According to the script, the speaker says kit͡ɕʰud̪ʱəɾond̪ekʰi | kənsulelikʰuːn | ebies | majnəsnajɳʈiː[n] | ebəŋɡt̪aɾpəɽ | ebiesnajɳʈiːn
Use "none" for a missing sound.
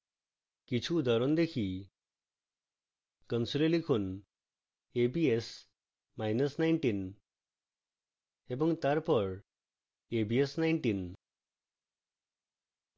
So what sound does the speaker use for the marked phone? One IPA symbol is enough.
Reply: n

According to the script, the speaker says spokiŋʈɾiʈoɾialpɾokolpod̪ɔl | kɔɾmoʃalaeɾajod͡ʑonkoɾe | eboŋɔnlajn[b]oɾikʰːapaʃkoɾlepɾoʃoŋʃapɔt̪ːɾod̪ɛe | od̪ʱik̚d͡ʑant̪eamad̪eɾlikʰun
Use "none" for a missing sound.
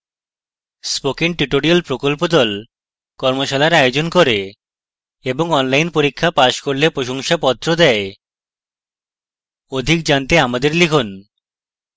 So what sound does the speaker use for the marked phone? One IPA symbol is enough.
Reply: p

